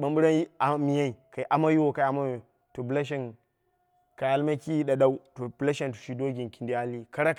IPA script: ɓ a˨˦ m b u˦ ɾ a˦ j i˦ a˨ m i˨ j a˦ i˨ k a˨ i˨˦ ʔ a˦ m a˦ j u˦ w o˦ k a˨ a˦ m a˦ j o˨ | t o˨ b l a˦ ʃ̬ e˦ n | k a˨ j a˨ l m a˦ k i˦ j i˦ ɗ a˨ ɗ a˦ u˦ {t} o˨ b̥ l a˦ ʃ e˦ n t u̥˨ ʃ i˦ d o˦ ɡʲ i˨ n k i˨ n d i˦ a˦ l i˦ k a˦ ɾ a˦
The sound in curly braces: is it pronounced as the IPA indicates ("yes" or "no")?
yes